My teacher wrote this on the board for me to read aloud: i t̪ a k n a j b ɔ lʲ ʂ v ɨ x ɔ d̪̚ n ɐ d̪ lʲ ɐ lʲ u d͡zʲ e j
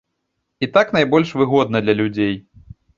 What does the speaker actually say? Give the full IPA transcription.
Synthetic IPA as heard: i t̪ a k n a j b ɔ lʲ ʂ v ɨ ɣ ɔ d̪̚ n ɐ d̪ lʲ ɐ lʲ u d͡zʲ e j